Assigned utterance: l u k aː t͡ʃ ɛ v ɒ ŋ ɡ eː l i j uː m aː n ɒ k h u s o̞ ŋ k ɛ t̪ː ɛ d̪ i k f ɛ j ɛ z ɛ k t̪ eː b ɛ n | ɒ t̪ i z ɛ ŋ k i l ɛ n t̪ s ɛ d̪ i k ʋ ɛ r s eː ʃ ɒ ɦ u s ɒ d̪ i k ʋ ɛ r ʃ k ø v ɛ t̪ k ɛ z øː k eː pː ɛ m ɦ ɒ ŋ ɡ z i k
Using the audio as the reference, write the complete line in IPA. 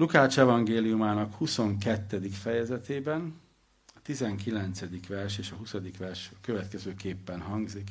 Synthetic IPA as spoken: l u k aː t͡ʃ ɛ v ɒ ŋ ɡ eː l i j u m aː n ɒ k h u s o̞ ŋ k ɛ t̪ː ɛ d̪ i k f ɛ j ɛ z ɛ t̪ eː b ɛ n | ɒ t̪ i z ɛ ŋ k i l ɛ n t̪ s ɛ d̪ i k ʋ ɛ r ʃ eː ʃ ɒ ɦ u s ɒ d̪ i k ʋ ɛ r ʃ k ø v ɛ t̪ k ɛ z øː k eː pː ɛ n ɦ ɒ ŋ ɡ z i k